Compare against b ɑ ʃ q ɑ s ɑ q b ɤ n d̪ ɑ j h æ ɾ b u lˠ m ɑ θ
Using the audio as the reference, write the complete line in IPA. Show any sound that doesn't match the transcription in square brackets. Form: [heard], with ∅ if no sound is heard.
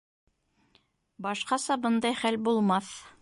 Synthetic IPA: b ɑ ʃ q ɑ s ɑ [∅] b ɤ n d̪ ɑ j [χ] æ [l] b u lˠ m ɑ θ